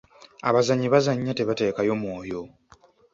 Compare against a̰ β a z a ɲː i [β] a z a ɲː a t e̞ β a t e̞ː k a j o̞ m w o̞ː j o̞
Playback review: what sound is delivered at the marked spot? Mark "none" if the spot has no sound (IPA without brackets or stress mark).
β